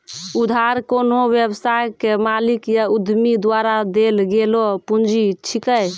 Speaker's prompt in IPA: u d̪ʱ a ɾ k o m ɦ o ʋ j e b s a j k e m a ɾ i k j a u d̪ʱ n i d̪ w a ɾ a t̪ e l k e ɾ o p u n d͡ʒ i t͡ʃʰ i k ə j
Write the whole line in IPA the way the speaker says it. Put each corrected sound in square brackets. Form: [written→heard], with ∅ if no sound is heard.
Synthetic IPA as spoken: u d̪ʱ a ɾ k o [m→n] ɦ o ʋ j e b s a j k e m a [ɾ→l] i k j a u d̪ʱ [n→m] i d̪ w a ɾ a [t̪→d̪] e l [k→ɡ] e [ɾ→l] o p u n d͡ʒ i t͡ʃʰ i k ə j